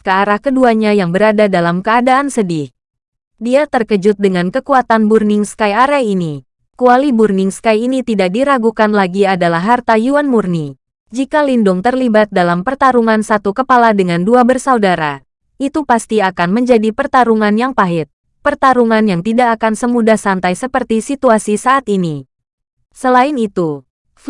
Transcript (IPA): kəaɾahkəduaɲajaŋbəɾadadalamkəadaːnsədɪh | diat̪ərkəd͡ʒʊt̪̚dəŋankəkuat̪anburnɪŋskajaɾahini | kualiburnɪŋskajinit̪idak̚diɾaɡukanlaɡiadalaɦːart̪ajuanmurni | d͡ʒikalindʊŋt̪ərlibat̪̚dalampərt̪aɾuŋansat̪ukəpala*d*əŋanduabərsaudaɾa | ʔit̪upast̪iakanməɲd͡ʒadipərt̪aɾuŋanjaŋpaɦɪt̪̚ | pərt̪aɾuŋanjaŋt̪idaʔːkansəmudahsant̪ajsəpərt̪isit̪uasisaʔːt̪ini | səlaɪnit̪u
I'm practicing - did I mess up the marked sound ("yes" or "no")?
no